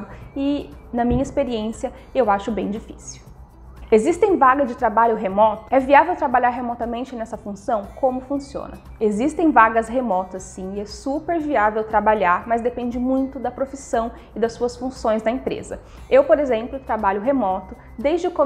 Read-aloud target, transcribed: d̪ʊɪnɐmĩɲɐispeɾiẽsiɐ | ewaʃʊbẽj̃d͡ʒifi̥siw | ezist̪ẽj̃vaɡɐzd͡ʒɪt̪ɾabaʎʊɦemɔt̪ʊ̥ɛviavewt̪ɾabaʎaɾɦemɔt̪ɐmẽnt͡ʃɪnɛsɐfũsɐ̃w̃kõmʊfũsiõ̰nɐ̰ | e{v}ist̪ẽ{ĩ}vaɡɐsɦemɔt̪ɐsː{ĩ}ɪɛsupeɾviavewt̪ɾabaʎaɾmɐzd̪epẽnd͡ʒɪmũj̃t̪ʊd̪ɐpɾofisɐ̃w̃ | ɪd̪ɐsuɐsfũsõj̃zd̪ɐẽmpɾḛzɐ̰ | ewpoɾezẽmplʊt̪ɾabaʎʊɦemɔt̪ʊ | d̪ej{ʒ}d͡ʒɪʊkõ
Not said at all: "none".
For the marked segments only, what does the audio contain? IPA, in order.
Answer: z, j̃, ĩ, z

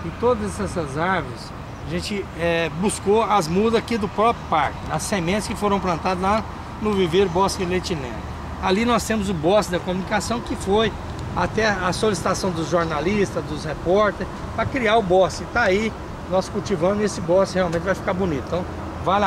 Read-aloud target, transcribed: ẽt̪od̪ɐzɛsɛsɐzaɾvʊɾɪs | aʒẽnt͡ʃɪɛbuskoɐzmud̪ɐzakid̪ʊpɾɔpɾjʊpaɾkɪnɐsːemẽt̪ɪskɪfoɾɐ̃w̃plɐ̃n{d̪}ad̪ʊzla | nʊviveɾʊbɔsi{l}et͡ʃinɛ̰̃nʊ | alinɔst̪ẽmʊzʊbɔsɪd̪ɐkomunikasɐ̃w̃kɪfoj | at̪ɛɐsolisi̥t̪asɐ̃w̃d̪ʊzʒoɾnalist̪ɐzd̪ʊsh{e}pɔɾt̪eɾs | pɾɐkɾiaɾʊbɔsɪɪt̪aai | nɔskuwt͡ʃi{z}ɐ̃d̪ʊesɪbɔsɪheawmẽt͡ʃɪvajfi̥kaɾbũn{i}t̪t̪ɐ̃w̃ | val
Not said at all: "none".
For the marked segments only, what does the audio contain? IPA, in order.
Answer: t̪, l, e, v, i

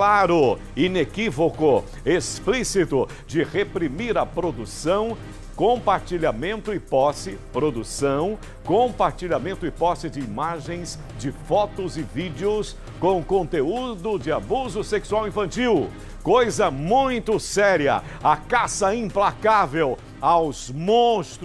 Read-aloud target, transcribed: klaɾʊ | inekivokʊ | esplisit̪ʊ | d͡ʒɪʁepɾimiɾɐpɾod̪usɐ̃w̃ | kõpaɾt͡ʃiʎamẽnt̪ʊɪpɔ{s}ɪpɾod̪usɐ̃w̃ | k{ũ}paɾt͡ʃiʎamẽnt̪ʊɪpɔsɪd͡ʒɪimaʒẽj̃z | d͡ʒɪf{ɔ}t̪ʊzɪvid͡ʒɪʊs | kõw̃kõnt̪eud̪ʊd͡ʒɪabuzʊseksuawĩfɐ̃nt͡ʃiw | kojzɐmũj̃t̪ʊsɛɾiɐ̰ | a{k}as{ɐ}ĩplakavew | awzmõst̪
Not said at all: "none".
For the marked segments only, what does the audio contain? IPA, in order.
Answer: s, õ, ɔ, k, ɐ

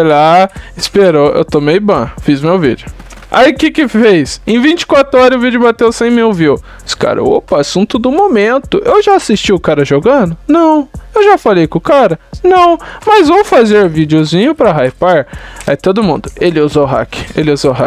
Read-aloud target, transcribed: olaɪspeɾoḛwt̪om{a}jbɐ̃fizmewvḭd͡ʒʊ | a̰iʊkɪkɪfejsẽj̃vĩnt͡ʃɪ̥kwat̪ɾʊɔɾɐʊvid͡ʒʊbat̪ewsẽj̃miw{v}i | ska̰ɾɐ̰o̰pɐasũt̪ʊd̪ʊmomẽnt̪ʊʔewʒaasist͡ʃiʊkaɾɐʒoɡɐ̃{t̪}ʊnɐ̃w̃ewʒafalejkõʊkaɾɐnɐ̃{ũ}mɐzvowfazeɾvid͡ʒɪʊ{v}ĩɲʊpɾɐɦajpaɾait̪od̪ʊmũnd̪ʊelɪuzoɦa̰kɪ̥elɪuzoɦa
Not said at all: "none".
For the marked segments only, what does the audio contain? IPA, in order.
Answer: e, v, d̪, w̃, z

